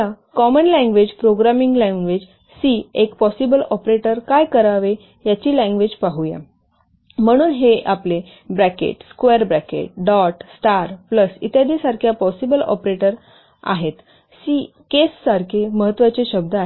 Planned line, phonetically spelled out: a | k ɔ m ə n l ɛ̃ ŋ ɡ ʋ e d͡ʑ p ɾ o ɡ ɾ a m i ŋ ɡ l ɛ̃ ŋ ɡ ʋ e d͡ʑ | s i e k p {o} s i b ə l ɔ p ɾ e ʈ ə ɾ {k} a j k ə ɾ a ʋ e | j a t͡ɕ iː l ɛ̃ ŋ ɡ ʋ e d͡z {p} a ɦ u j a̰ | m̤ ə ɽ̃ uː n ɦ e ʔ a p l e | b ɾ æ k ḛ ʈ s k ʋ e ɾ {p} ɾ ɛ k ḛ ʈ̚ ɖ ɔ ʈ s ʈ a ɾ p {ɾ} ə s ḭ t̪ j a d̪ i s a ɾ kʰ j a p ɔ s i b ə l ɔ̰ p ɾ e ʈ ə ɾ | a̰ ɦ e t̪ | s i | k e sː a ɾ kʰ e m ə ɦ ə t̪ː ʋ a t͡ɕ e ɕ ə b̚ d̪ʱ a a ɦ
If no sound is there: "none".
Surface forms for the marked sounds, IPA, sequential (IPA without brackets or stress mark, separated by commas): ɔ, k, p, b, l